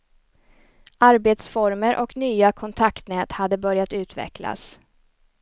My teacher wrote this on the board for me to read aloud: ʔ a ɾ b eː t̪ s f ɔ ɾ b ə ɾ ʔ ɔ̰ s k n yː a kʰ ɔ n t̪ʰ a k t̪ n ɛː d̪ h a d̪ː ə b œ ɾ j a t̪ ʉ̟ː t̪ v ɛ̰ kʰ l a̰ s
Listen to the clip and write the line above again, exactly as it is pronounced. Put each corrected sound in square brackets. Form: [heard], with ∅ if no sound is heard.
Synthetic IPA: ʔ a ɾ b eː t̪ s f ɔ ɾ [m] ə ɾ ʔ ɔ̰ [∅] k n yː a kʰ ɔ n t̪ʰ a k t̪ n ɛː [t̪] h a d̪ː ə b œ ɾ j a t̪ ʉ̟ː t̪ v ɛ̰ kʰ l a̰ s